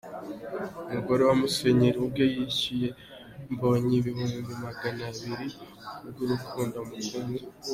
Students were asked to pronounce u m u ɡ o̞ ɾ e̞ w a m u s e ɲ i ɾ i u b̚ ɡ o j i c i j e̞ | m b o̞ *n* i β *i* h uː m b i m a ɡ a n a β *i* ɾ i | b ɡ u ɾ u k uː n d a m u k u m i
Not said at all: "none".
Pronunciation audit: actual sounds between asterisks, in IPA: ɲ, i, i

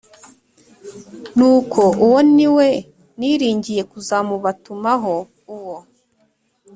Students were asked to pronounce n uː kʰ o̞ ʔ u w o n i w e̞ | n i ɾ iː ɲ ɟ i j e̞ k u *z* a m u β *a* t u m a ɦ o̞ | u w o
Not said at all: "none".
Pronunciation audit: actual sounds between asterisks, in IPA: z, a

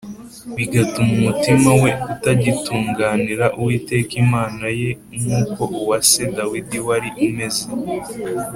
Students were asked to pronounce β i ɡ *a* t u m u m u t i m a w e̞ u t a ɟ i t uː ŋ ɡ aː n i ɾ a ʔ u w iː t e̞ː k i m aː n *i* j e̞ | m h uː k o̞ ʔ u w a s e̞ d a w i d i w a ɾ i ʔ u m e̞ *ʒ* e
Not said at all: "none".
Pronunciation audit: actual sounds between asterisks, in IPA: a, a, z

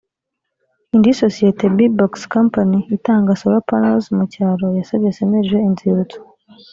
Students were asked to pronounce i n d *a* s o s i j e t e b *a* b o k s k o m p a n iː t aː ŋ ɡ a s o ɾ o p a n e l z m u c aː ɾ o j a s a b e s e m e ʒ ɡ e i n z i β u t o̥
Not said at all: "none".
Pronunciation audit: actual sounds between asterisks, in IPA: i, i

